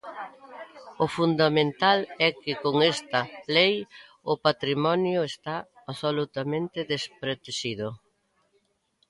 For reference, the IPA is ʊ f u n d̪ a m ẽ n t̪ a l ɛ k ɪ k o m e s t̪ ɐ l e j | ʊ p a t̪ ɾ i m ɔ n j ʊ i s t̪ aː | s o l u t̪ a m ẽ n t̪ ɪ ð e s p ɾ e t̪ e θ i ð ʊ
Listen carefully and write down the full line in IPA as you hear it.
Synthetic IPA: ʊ f u n d̪ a m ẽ n t̪ a l ɛ k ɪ k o ŋ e s t̪ ɐ l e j | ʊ p a t̪ ɾ i m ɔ n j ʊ e s t̪ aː | s o l u t̪ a m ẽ n t̪ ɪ ð e s p ɾ e t̪ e ʃ i ð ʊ

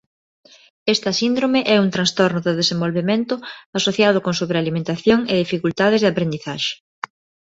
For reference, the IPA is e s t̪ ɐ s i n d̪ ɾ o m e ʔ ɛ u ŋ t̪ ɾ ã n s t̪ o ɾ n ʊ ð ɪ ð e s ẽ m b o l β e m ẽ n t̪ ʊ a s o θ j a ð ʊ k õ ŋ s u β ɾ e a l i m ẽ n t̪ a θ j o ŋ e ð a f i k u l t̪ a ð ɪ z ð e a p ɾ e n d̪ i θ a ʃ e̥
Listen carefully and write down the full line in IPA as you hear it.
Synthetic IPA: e s t̪ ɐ s i n d̪ ɾ o m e ʔ ɛ u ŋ t̪ ɾ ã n s t̪ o ɾ n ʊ ð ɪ ð e s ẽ m b o l β e m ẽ n t̪ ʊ a s o θ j a ð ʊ k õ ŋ s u β ɾ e a l i m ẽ n t̪ a θ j o ŋ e ð i f i k u l t̪ a ð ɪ z ð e a p ɾ e n d̪ i θ a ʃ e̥

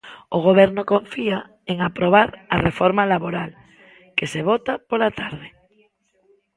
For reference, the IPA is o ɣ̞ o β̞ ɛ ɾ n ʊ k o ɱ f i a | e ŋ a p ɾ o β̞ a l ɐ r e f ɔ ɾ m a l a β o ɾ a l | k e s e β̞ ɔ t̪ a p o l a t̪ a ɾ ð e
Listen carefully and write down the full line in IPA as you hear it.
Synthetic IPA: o ɣ̞ o β̞ ɛ ɾ n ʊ k o ɱ f i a | e ŋ a p ɾ o β̞ a ɾ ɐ r e f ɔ ɾ m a l a β o ɾ a l | k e s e β̞ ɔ t̪ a p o l a t̪ a ɾ ð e

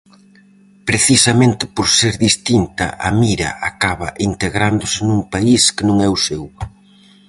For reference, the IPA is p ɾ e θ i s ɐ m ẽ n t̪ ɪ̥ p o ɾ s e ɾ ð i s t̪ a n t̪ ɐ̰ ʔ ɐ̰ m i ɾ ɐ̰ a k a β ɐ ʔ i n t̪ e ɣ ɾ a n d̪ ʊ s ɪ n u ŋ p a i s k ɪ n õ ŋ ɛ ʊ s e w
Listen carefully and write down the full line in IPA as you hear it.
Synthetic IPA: p ɾ e θ i s ɐ m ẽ n t̪ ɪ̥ p o ɾ s e ɾ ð i s t̪ i n t̪ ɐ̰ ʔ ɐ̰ m i ɾ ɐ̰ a k a β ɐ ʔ i n t̪ e ɣ ɾ a n d̪ ʊ s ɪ n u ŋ p a i s k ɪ n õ ŋ ɛ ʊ s e w

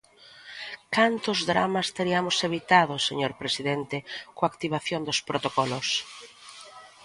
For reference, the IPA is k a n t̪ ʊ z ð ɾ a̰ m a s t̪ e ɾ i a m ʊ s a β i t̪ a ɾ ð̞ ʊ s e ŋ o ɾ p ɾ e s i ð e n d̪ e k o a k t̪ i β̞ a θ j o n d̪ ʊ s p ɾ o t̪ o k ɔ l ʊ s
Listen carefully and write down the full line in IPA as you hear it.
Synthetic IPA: k a n t̪ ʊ z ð ɾ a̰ m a s t̪ e ɾ i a m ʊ s e β i t̪ a ð̞ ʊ s e ɲ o ɾ p ɾ e s i ð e n t̪ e k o a k t̪ i β̞ a θ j o n d̪ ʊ s p ɾ o t̪ o k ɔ l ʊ s

